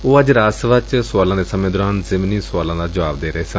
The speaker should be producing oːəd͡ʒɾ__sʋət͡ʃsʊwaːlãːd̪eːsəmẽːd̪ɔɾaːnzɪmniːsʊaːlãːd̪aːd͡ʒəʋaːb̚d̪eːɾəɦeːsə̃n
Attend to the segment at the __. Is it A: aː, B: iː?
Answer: A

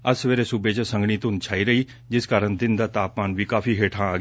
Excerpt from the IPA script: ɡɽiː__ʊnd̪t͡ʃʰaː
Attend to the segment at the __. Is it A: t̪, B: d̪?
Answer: A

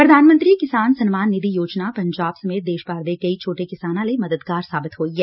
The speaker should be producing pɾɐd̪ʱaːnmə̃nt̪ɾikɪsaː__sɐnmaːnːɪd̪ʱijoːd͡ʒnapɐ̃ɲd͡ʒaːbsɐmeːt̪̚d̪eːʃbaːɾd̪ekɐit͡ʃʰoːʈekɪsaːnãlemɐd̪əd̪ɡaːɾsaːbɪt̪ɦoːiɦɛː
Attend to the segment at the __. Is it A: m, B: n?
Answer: B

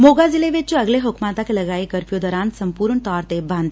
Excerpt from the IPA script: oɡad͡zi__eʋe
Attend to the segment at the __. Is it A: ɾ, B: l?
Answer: B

